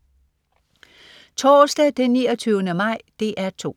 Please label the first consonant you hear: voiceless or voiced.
voiceless